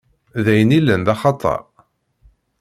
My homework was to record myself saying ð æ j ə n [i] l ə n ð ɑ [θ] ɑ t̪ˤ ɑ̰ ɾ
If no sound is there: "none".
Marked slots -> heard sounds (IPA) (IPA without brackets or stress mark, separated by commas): i, χ